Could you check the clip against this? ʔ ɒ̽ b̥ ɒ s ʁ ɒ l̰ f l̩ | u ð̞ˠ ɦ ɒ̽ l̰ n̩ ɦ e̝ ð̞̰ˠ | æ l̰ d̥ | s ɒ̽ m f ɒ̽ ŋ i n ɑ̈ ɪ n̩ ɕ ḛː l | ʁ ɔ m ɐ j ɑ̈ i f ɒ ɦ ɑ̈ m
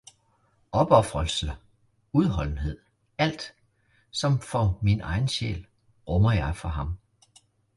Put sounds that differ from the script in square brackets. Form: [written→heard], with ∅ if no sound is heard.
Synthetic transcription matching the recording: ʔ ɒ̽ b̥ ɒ [s→f] ʁ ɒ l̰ [f→s] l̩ | u ð̞ˠ ɦ ɒ̽ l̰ n̩ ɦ e̝ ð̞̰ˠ | æ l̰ d̥ | s ɒ̽ m f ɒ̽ [ŋ→m] i n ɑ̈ ɪ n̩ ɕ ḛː l | ʁ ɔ m ɐ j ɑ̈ [i→ɪ] f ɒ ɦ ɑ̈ m